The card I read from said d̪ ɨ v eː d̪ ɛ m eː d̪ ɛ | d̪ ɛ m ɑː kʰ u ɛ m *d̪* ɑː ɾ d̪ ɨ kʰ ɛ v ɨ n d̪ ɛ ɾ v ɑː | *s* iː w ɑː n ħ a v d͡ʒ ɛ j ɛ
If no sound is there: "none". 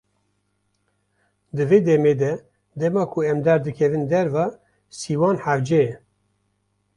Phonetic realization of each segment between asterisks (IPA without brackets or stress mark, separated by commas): d̪, s